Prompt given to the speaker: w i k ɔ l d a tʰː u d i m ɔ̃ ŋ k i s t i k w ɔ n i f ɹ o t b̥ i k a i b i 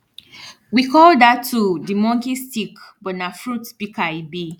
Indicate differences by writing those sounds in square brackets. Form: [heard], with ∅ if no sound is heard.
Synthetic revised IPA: w i k ɔ l d a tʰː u d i m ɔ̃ ŋ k i s t i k [b] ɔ n [a] f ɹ [u] t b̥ i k a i b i